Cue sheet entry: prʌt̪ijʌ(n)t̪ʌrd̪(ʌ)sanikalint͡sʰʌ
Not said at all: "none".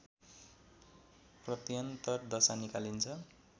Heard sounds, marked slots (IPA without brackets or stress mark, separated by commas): n, ʌ